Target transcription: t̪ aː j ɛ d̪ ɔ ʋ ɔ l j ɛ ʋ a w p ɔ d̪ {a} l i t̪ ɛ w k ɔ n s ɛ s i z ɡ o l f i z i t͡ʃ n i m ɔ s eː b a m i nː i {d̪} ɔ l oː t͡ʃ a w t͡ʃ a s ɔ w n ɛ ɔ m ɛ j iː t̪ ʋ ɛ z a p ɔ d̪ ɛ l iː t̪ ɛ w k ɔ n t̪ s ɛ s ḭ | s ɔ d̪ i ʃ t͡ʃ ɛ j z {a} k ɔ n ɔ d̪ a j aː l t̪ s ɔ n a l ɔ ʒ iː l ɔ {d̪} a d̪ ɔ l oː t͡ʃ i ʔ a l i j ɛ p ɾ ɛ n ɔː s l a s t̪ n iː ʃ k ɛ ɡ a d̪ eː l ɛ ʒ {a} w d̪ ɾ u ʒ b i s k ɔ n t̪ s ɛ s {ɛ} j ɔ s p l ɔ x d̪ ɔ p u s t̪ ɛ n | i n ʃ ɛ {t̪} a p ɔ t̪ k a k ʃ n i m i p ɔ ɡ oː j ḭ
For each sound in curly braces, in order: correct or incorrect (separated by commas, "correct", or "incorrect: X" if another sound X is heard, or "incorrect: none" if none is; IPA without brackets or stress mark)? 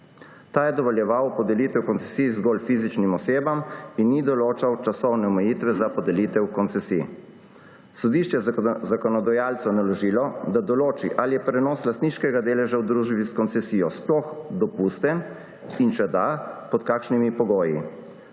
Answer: incorrect: ɛ, correct, correct, correct, correct, incorrect: i, incorrect: d̪